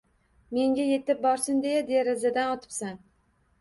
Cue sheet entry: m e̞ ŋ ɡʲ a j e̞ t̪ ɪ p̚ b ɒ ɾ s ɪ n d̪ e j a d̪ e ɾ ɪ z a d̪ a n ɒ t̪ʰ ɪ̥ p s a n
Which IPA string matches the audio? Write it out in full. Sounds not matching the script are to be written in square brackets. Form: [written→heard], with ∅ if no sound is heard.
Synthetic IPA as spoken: m e̞ ŋ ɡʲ a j e̞ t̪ ɪ p̚ b ɒ ɾ s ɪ n d̪ e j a d̪ e ɾ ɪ z a d̪ a n ɒ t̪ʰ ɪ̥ p s a n